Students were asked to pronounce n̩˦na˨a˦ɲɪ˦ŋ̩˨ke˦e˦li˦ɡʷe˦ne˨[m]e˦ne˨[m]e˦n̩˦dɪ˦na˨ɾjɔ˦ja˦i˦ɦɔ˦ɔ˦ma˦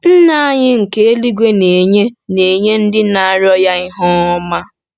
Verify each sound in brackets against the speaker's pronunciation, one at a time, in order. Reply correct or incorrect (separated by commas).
incorrect, incorrect